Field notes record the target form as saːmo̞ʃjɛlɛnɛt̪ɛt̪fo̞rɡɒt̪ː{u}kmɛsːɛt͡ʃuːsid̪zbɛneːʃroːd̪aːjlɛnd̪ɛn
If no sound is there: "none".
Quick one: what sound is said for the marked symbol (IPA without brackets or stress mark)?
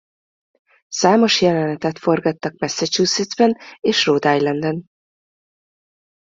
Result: ɒ